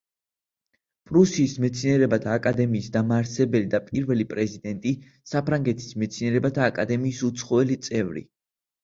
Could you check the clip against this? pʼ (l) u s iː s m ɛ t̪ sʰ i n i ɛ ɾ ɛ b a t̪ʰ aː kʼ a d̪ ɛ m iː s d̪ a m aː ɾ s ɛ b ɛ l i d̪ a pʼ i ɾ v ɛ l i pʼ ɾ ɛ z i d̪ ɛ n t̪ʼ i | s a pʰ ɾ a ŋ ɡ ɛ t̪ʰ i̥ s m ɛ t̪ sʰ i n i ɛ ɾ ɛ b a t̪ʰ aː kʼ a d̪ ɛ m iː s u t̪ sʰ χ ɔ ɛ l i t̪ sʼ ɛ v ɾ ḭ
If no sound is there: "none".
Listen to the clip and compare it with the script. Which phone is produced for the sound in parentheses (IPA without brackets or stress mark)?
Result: ɾ